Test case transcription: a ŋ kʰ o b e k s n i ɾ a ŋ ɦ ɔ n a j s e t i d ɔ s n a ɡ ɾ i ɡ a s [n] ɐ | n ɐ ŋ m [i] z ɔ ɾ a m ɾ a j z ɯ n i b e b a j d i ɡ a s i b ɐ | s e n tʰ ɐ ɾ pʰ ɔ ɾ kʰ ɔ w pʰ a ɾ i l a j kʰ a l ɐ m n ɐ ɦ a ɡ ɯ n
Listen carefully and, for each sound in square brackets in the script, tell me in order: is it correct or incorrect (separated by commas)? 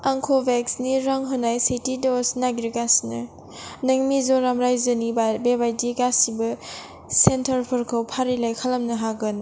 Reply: correct, correct